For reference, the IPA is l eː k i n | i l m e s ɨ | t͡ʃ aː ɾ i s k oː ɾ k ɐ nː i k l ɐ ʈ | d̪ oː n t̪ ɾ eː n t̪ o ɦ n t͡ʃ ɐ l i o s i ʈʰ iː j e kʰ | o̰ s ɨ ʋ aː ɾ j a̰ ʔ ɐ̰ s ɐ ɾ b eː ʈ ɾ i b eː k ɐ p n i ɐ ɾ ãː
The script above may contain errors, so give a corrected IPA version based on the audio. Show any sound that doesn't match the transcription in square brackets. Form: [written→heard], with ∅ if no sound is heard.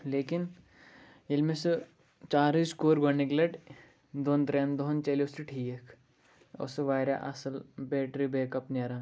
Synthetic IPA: l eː k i n | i l m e s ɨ | t͡ʃ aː ɾ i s k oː ɾ [k→ɡ] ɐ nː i k l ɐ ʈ | d̪ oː n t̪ ɾ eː n [t̪→d̪] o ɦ n t͡ʃ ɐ l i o s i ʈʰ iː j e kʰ | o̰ s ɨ ʋ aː ɾ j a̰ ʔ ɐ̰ s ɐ [ɾ→l] b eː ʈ ɾ i b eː k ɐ p n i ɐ ɾ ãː